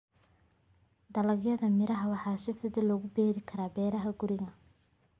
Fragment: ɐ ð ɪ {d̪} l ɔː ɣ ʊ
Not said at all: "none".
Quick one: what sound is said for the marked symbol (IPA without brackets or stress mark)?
none